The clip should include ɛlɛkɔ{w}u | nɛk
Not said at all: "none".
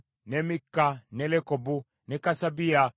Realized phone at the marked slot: b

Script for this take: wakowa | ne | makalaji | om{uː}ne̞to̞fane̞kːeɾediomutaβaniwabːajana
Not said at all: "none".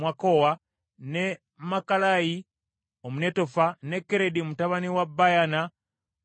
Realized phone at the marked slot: u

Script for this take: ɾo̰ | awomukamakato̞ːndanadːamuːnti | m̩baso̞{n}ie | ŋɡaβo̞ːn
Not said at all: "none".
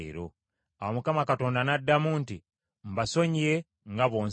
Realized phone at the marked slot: ɲ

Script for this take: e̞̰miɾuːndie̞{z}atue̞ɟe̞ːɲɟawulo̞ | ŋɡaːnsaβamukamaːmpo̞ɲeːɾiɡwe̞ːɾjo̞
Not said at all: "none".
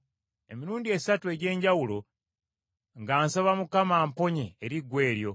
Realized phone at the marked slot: s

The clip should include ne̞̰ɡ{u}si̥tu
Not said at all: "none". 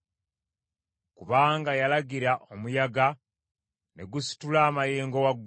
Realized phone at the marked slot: u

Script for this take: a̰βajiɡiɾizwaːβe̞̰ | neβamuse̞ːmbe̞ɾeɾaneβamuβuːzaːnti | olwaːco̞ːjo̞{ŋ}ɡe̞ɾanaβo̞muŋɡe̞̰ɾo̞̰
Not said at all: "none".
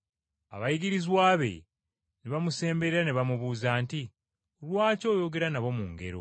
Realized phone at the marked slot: none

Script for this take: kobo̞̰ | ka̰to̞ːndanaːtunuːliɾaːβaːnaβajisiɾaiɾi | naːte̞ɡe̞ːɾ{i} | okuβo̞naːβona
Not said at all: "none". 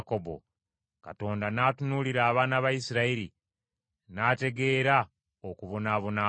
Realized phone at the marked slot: a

